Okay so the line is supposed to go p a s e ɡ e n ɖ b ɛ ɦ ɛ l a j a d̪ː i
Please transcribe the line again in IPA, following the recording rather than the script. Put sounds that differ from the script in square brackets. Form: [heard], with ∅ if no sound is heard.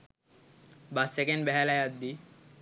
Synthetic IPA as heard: [b] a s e [k] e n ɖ b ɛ ɦ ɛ l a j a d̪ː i